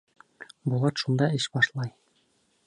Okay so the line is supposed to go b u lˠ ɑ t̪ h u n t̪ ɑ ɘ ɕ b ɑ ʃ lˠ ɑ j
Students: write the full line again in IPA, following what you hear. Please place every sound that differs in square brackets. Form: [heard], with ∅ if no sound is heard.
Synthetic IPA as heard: b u lˠ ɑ t̪ [ʃ] u n [d̪] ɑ ɘ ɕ b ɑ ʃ lˠ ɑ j